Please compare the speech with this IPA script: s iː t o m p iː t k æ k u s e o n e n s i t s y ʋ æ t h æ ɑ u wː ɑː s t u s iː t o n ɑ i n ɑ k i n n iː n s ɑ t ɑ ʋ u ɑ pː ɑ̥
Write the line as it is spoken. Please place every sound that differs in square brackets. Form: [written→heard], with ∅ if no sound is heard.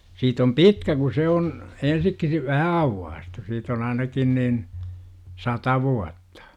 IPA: s iː t o m p [iː→i] t k æ k u s e o n e n s i [t→k] s [y→i] ʋ æ [t→∅] h æ ɑ u wː ɑː s t u s iː t o n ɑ i n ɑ k i n n iː n s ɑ t ɑ ʋ u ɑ [pː→tː] ɑ̥